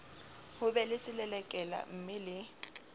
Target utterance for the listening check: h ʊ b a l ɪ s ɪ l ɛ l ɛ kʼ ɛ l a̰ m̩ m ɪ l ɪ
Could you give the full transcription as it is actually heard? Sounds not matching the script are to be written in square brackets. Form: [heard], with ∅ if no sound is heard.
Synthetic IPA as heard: h ʊ b [ɛ] l ɪ s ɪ l ɛ l ɛ kʼ ɛ l a̰ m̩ m ɪ l ɪ